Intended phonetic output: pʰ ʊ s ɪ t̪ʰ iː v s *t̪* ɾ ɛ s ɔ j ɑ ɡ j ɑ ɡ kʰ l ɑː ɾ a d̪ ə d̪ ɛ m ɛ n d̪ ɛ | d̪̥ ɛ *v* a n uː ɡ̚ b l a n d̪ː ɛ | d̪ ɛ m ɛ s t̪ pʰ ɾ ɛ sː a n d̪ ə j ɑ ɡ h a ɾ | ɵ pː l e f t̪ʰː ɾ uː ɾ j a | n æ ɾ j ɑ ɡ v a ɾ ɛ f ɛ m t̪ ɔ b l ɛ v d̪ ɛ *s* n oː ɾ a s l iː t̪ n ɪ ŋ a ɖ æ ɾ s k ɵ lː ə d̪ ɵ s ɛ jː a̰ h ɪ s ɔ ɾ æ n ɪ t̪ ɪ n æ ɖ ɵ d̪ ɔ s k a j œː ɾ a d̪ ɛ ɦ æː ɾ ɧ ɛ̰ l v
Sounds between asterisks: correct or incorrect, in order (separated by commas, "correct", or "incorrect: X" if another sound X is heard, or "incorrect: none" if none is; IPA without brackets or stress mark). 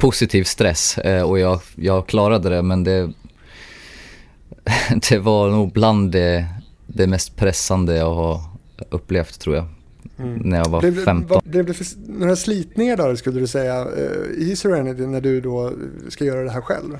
correct, correct, incorrect: f